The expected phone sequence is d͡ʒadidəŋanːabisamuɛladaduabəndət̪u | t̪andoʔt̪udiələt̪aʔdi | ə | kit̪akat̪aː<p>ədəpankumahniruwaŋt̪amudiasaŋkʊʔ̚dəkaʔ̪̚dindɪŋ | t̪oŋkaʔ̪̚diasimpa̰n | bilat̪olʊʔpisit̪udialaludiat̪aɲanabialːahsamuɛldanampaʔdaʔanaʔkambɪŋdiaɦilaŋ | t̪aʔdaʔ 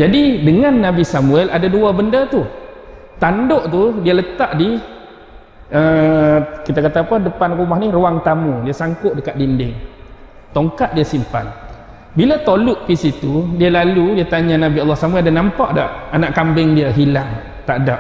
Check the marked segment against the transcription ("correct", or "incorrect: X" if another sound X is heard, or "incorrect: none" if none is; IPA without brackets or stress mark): correct